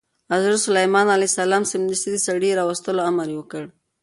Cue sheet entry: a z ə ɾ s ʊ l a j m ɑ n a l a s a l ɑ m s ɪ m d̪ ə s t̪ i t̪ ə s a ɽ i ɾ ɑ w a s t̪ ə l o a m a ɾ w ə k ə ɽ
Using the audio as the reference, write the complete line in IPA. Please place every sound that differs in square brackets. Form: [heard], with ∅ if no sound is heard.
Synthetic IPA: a z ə ɾ s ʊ l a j m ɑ n a l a s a l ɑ m s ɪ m d̪ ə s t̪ i [d̪] ə s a ɽ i ɾ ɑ w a s t̪ ə l o a m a ɾ w ə k ə ɽ